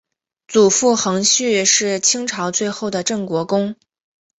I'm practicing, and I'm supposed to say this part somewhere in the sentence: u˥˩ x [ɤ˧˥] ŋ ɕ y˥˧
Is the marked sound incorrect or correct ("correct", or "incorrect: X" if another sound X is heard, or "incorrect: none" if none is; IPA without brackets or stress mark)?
correct